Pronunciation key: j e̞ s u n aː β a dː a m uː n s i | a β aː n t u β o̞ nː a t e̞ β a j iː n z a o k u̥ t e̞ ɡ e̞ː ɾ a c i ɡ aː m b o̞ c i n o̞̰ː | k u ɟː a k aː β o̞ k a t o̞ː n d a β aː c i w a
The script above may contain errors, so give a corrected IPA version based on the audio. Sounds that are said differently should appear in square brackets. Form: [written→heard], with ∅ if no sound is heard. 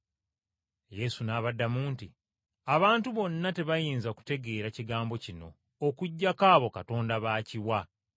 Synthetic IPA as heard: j e̞ s u n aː β a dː a m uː n [s→t] i | a β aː n t u β o̞ nː a t e̞ β a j iː n z a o k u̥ t e̞ ɡ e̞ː ɾ a c i ɡ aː m b o̞ c i n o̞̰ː | k u ɟː a k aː β o̞ k a t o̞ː n d a β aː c i w a